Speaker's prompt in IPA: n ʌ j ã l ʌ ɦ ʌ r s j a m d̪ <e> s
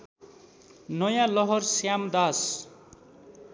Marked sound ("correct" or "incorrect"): incorrect